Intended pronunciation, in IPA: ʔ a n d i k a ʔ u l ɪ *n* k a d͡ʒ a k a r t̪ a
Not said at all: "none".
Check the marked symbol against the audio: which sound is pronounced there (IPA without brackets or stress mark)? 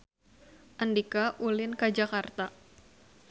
n